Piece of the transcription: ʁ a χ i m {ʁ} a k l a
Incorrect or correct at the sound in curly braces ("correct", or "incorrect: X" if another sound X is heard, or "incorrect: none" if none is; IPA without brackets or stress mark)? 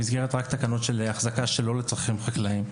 incorrect: χ